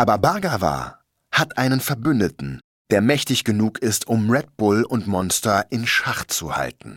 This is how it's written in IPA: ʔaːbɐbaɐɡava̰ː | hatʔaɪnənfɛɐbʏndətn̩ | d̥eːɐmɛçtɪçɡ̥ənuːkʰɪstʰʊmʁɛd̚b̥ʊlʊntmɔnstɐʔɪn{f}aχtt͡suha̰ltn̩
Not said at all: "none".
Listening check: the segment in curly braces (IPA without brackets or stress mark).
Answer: ʃ